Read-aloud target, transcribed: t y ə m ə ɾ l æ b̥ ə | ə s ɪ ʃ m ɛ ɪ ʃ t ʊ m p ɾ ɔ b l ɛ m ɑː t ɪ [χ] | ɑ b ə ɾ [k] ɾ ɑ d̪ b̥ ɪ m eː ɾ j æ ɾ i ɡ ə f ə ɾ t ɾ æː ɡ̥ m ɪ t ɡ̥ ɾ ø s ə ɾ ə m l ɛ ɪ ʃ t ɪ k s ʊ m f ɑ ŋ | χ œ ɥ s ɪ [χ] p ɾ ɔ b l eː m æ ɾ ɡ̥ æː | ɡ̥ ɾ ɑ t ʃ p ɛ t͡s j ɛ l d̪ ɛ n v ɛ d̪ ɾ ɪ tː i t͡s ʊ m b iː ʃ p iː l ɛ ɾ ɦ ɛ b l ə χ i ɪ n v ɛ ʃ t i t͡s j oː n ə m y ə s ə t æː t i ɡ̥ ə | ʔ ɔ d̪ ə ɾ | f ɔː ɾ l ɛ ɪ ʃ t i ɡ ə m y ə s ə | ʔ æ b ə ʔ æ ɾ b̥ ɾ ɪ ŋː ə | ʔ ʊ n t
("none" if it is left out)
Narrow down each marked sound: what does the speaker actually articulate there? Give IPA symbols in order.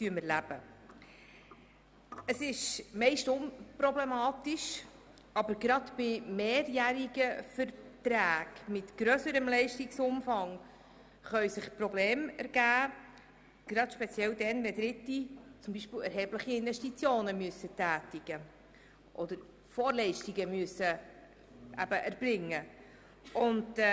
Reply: ʃ, ɡ, χ

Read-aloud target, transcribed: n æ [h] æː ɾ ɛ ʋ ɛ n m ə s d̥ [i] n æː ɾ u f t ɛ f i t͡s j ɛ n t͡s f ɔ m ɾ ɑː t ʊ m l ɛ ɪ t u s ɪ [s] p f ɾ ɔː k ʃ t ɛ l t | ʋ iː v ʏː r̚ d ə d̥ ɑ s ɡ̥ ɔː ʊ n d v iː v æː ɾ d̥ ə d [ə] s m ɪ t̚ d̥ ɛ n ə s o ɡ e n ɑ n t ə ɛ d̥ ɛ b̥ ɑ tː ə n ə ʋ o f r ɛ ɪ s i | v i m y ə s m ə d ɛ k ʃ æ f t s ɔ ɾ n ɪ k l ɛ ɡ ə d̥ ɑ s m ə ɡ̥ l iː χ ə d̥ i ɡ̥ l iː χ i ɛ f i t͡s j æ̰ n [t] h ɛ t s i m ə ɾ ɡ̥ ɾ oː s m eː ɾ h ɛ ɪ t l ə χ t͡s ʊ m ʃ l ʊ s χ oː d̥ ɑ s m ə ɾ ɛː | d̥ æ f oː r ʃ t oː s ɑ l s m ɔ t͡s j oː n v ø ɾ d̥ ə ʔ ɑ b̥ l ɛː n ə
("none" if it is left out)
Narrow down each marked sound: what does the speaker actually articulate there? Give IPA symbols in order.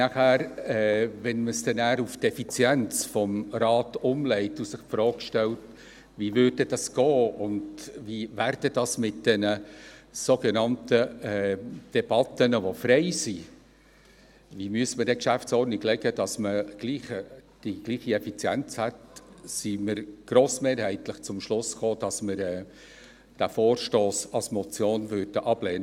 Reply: χ, ɛ, χ, ɑ, t͡s

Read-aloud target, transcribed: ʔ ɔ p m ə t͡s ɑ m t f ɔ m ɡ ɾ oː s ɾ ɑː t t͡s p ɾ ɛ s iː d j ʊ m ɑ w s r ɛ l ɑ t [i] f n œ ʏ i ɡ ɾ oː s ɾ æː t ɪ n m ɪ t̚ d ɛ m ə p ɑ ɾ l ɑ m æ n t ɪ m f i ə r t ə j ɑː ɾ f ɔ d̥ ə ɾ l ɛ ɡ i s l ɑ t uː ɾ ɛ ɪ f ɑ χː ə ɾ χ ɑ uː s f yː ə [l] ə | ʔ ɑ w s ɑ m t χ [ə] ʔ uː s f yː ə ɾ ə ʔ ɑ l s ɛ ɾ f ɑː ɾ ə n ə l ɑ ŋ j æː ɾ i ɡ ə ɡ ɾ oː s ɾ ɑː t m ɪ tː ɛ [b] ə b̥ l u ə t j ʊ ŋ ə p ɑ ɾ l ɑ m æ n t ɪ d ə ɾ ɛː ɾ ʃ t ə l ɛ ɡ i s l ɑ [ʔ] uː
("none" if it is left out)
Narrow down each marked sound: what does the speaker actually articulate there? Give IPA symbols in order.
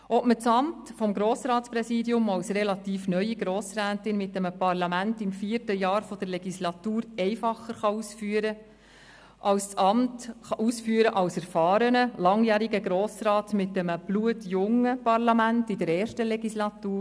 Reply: iː, ɾ, ɑ, m, t

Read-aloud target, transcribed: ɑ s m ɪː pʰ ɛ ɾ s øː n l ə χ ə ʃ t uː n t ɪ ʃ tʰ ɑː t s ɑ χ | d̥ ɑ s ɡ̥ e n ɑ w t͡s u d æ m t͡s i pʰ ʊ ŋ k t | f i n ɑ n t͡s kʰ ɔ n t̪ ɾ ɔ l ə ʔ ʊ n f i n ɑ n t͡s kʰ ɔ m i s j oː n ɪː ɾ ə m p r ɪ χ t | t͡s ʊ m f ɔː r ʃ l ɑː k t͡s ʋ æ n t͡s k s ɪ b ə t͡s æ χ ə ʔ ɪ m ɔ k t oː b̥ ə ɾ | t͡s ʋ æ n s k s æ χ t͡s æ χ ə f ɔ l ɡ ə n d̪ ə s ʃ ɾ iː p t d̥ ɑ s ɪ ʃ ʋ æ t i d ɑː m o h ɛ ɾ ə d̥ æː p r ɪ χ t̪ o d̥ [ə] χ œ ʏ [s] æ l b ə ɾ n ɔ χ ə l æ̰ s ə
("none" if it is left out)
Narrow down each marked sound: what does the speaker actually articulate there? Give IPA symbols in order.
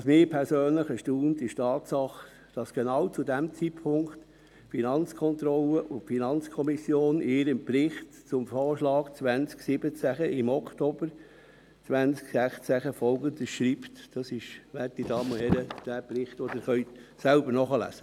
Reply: ə, s

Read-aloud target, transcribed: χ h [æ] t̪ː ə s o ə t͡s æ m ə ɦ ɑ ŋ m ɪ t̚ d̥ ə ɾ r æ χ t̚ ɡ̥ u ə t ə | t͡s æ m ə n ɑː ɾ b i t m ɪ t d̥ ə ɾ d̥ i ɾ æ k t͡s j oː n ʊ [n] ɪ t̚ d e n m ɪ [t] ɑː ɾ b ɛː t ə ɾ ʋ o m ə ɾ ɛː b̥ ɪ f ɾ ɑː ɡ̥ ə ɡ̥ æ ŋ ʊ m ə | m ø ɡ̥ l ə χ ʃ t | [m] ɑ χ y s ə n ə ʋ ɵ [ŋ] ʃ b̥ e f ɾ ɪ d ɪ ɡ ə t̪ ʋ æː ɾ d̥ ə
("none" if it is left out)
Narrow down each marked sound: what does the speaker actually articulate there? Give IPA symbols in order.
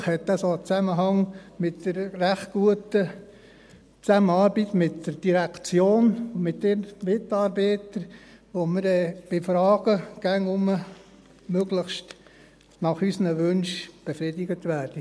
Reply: ɛ, m, t, n, n

